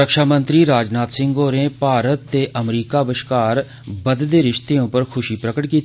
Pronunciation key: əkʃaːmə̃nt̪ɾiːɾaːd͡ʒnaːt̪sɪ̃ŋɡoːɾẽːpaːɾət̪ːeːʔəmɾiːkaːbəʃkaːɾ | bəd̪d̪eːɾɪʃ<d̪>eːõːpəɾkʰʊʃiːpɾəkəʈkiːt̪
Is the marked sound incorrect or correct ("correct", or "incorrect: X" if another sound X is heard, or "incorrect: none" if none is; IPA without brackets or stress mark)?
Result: incorrect: t̪